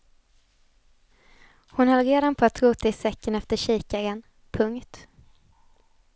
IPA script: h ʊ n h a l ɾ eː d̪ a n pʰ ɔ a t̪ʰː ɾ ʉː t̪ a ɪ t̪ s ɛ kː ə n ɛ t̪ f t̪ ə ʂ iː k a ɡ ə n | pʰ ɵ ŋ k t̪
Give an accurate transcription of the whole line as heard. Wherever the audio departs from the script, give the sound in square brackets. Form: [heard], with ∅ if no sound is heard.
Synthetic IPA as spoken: h ʊ n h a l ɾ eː d̪ a n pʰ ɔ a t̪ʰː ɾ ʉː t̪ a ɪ [∅] s ɛ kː ə n ɛ [∅] f t̪ ə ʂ iː k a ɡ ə n | pʰ ɵ ŋ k t̪